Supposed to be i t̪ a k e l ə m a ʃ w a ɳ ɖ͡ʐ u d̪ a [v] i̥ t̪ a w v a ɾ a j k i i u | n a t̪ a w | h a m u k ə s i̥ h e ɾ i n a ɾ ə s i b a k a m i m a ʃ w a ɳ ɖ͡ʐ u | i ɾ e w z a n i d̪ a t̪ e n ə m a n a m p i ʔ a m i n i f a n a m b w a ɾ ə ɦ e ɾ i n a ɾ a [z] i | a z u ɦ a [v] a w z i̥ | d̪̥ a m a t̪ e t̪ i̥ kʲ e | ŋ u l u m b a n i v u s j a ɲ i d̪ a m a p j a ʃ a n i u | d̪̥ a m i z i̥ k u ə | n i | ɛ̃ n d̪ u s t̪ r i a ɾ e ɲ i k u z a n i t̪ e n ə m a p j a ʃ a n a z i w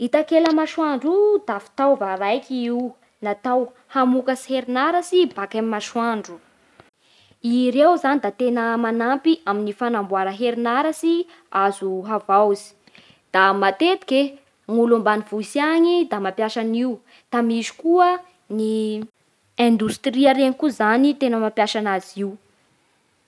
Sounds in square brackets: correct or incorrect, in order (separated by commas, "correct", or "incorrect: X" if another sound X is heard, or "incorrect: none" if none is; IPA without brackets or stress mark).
incorrect: f, incorrect: s, correct